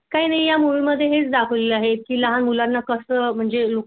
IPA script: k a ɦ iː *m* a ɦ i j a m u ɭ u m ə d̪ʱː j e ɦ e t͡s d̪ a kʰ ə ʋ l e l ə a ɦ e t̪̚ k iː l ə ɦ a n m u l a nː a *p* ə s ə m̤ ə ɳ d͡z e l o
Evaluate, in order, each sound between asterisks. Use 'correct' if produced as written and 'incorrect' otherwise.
incorrect: n, incorrect: k

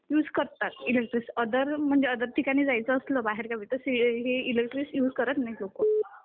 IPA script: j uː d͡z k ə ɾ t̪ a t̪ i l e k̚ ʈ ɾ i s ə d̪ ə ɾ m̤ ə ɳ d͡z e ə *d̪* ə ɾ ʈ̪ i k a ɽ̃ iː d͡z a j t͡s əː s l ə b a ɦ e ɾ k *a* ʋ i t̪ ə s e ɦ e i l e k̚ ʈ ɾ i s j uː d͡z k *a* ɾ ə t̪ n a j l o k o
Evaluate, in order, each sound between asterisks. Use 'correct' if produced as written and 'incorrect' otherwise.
correct, correct, incorrect: ə

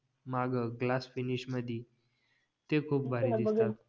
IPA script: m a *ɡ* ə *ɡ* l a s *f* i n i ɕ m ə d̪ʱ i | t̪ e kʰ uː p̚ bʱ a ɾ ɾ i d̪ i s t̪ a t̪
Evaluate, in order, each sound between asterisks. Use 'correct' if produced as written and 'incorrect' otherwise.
correct, correct, correct

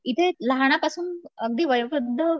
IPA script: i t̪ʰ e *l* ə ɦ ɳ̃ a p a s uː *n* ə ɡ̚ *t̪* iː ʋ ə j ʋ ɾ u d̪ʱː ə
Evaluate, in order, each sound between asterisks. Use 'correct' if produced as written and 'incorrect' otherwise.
correct, correct, incorrect: d̪

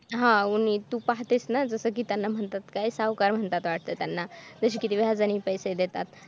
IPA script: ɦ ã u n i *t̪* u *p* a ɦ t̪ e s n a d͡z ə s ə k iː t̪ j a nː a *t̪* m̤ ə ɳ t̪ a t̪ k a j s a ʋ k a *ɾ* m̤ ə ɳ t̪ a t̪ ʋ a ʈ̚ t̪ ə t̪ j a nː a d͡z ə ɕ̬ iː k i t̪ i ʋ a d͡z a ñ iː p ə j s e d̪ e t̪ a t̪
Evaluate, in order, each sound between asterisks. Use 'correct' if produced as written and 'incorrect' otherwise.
correct, correct, incorrect: none, correct

